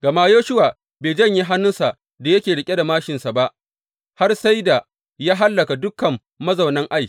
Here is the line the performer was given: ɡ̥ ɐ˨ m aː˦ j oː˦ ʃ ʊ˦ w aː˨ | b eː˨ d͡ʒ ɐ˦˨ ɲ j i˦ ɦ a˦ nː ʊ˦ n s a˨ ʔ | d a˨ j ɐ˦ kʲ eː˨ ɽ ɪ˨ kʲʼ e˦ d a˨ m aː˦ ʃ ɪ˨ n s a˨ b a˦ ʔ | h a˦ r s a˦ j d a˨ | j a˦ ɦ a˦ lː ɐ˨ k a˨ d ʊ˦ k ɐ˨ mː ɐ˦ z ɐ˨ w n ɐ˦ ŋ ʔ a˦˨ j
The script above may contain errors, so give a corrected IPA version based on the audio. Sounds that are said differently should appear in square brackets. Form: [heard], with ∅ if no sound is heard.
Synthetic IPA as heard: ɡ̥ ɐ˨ m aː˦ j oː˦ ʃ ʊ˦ w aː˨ | b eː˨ d͡ʒ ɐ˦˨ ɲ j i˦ ɦ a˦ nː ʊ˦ n s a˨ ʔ | d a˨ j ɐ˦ kʲ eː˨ ɽ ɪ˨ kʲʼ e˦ d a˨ m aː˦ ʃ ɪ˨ n s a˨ b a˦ ʔ | h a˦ r s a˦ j d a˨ | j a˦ ɦ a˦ lː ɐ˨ k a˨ d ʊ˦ k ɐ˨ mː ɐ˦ z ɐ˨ w n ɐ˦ ŋ ʔ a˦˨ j